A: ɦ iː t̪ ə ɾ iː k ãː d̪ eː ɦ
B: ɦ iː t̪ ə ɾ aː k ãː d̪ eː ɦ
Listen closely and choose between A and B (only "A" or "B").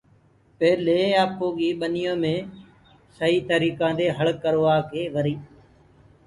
A